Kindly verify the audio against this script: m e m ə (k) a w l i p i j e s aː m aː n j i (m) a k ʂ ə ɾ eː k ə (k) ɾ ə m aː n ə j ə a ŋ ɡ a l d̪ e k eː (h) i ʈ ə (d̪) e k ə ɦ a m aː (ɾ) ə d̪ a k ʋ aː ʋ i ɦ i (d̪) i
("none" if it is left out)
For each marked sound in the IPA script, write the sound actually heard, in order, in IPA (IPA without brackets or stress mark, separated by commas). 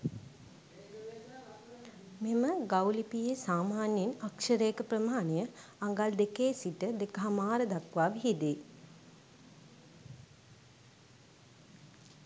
ɡ, n, p, s, d̪, ɾ, d̪